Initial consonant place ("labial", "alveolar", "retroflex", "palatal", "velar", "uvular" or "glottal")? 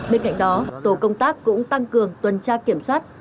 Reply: labial